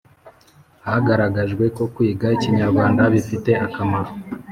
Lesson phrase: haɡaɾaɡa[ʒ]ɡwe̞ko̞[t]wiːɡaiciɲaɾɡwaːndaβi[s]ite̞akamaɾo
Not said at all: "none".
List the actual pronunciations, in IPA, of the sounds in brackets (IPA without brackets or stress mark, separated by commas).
ʒ, k, f